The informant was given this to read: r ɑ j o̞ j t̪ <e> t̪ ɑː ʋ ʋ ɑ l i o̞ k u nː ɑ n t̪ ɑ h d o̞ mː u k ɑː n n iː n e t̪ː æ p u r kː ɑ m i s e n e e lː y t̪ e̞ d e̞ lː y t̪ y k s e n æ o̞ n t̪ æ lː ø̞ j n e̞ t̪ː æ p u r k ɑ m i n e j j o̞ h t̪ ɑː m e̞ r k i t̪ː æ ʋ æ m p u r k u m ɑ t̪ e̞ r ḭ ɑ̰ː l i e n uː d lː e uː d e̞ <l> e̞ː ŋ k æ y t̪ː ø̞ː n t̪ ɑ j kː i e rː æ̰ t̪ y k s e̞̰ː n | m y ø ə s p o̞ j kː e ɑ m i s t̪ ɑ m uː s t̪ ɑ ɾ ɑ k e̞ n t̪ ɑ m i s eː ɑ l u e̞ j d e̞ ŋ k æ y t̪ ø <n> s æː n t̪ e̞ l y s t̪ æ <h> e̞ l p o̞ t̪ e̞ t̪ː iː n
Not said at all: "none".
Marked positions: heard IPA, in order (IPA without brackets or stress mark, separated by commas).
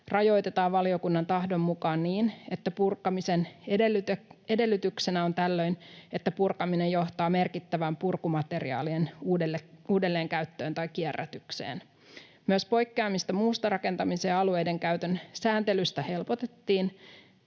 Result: e, lː, n, h